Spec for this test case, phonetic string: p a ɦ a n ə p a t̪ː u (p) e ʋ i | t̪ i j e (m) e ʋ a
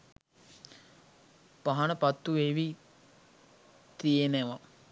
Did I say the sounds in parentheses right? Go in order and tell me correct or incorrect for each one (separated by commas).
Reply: incorrect, incorrect